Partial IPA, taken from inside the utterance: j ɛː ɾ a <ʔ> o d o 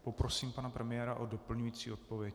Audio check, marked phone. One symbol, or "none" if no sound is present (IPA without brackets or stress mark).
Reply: ʔ